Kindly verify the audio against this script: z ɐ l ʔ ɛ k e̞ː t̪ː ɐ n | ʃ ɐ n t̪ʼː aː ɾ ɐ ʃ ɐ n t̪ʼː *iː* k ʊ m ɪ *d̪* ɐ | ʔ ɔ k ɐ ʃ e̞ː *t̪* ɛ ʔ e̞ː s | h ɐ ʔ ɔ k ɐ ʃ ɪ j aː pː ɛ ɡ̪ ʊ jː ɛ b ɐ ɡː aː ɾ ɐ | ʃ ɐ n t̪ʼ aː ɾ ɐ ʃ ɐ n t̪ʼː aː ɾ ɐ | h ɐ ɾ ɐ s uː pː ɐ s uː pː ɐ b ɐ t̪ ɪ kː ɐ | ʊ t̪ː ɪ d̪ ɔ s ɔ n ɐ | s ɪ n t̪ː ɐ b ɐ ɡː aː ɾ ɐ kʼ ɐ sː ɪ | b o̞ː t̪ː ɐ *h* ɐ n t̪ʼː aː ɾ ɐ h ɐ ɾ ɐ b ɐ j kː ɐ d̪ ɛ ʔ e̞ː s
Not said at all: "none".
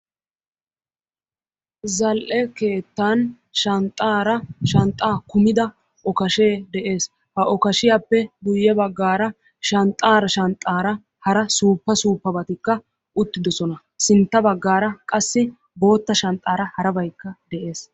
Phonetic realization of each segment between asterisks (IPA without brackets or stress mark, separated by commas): aː, d̪, d̪, ʃ